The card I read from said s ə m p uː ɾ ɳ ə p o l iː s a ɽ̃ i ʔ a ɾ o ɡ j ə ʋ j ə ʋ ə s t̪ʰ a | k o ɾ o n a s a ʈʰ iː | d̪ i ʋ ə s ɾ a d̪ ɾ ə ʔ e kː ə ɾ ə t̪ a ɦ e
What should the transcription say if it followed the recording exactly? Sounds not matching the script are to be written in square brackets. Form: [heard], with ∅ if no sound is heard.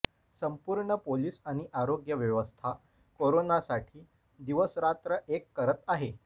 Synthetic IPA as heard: s ə m p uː ɾ ɳ ə p o l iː s a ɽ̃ i ʔ a ɾ o ɡ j ə ʋ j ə ʋ ə s t̪ʰ a | k o ɾ o n a s a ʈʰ iː | d̪ i ʋ ə s ɾ a [t̪] ɾ ə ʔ e kː ə ɾ ə t̪ a ɦ e